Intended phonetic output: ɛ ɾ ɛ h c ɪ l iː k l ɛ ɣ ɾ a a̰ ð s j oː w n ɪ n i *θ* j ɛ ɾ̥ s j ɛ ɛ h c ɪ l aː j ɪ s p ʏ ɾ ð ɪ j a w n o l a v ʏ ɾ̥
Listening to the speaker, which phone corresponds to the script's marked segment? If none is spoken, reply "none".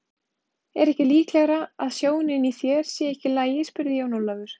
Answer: θ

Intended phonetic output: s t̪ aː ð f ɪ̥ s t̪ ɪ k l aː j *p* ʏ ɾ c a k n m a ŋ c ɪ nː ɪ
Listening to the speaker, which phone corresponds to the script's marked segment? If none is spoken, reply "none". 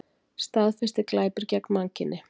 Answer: p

